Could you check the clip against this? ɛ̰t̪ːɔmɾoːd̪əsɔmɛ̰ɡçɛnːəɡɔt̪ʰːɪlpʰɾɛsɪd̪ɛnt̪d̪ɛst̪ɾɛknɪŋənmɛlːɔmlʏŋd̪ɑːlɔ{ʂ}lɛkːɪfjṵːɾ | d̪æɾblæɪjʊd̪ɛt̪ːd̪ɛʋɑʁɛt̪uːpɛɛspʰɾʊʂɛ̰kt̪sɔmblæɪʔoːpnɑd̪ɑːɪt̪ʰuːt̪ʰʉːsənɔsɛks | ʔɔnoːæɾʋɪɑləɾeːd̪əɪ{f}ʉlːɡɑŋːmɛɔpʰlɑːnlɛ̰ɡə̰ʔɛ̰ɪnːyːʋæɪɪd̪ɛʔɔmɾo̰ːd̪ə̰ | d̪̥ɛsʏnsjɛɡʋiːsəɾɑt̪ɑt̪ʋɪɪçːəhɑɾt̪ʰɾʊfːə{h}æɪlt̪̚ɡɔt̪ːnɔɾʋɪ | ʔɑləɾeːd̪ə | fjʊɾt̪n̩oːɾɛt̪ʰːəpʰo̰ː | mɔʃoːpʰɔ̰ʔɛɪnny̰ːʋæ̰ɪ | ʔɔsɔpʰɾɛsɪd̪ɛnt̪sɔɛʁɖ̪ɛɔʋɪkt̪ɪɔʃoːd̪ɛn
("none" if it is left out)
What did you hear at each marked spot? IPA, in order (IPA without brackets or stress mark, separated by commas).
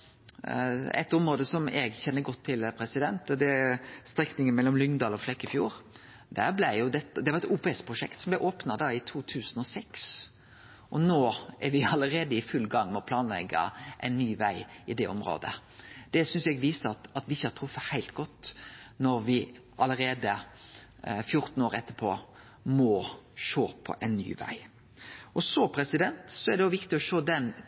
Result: f, f, h